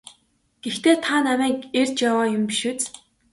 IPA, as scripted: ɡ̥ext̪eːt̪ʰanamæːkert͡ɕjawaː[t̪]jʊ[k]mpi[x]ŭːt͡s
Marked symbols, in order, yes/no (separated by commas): no, no, no